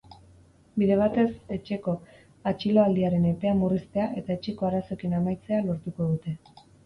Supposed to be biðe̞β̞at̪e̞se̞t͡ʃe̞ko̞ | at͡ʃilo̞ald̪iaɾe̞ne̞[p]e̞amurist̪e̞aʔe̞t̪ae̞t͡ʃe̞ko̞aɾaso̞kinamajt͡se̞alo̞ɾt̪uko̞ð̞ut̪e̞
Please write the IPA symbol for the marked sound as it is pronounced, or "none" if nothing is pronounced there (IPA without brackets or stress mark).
p